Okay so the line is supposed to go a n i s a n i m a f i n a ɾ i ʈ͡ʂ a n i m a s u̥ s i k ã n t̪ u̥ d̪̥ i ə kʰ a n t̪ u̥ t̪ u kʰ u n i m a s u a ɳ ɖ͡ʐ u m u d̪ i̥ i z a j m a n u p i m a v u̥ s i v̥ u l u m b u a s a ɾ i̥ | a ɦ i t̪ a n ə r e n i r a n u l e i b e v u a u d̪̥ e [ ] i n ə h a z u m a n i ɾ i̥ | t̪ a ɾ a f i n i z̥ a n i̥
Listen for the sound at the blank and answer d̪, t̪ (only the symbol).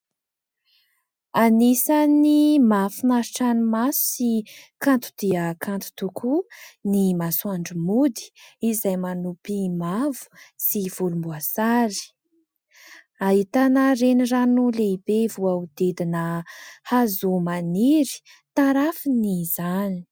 d̪